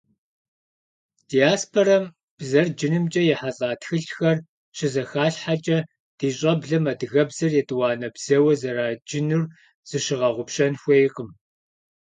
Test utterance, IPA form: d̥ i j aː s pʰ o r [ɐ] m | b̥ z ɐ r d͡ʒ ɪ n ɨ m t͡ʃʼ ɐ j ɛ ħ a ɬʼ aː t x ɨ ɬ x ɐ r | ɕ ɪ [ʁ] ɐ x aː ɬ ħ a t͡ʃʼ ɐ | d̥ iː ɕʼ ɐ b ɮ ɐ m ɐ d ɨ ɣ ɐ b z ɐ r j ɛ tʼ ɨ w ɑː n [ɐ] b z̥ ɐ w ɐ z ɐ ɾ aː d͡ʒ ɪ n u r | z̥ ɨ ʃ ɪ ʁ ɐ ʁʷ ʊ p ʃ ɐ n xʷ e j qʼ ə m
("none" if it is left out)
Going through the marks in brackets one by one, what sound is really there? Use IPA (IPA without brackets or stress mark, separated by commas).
ɐ, z, ɐ